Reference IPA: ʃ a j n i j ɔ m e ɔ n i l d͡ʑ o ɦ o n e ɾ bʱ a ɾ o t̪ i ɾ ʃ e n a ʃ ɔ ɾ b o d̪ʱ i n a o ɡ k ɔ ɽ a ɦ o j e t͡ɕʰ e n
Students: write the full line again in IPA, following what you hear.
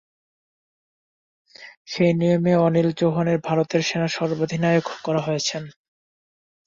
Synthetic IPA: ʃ e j n i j o m e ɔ n i l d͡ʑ o ɦ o n e ɾ bʱ a ɾ o t̪ e ɾ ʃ e n a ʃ ɔ ɾ b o d̪ʱ i n a o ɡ k ɔ ɾ a ɦ o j e t͡ɕʰ e n